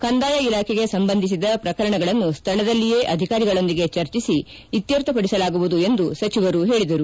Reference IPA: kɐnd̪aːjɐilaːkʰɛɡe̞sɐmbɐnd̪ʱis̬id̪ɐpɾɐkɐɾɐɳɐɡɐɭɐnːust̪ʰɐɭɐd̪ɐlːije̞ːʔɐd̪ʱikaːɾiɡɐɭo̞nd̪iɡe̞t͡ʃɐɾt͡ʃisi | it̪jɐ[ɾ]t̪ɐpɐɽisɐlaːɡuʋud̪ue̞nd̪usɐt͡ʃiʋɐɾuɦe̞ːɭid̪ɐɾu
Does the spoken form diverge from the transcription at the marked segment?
no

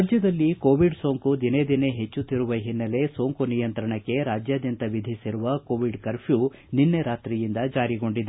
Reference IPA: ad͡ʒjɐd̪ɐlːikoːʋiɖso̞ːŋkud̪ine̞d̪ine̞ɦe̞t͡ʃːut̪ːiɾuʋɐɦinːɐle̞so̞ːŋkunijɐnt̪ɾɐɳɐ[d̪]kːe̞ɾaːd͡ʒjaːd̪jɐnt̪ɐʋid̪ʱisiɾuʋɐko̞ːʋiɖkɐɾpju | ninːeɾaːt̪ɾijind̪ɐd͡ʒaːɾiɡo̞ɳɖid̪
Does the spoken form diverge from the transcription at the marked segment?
yes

